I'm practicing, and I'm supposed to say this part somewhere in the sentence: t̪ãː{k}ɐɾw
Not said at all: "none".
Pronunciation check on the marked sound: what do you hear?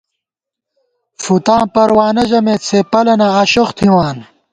p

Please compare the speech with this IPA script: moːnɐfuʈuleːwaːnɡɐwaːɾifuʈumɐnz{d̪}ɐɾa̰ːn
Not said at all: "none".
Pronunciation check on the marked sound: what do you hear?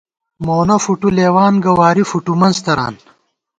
t̪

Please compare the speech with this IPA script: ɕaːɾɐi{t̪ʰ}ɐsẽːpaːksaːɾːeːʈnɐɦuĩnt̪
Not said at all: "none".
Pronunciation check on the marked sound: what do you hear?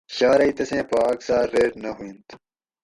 t̪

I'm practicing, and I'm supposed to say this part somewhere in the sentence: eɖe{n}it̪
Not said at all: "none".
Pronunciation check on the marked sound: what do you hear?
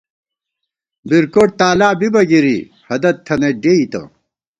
none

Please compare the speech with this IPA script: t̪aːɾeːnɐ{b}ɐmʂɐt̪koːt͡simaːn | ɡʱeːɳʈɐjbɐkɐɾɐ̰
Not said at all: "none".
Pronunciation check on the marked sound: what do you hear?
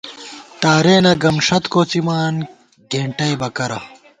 ɡ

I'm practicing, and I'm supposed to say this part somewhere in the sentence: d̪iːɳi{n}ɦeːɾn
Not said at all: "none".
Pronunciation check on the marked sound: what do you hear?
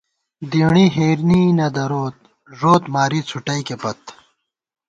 none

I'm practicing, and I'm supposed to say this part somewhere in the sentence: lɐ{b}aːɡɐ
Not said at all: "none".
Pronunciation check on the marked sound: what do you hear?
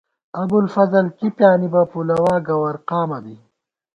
w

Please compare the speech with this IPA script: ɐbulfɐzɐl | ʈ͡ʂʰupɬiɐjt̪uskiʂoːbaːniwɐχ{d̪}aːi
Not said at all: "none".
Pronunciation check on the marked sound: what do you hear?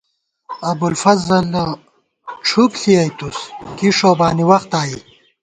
t̪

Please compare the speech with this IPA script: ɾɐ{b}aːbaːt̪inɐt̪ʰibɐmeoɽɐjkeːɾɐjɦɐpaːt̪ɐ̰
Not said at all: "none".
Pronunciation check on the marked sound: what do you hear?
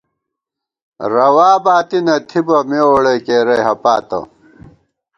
w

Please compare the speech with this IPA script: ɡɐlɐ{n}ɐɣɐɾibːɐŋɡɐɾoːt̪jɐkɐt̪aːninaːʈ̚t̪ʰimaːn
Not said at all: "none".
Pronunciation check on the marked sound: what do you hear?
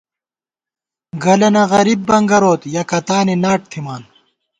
n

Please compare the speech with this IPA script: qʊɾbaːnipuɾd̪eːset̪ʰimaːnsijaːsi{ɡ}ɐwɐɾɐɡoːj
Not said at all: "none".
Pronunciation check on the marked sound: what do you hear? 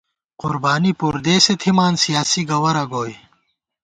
ɡ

